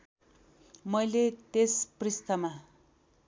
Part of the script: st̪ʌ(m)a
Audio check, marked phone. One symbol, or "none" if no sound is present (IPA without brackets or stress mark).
m